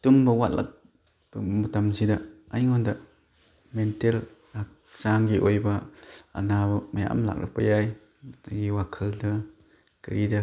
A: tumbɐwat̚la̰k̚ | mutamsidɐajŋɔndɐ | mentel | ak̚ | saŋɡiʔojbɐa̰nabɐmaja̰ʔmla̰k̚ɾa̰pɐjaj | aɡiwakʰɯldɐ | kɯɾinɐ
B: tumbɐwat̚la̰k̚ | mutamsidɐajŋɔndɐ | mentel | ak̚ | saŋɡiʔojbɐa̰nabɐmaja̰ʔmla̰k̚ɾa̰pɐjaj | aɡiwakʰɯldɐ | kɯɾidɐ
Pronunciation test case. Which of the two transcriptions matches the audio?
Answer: B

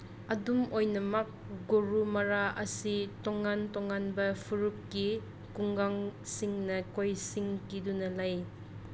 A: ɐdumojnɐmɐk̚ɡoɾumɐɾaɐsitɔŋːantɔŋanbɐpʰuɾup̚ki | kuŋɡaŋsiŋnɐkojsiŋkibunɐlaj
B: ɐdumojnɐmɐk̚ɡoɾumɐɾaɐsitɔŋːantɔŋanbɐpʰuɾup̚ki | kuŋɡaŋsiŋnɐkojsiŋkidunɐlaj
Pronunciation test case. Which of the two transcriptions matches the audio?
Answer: B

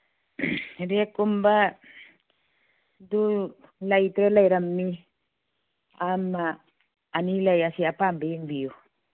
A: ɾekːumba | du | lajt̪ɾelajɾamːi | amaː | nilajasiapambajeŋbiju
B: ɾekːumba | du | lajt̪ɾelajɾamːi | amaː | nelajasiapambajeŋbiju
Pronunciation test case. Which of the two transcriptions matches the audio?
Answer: A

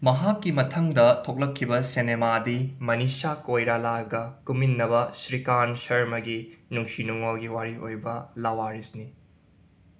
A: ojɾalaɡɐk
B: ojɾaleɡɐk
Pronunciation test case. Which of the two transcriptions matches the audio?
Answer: A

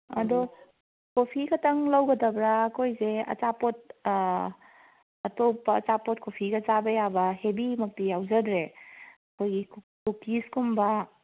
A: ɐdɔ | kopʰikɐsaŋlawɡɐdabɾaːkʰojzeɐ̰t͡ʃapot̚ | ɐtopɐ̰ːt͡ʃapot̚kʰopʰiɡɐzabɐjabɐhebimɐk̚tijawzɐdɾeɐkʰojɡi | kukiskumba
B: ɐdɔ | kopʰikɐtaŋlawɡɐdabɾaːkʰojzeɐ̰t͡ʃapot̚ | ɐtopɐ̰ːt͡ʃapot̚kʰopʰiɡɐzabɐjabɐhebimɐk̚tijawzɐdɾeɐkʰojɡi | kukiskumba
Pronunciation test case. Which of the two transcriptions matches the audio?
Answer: B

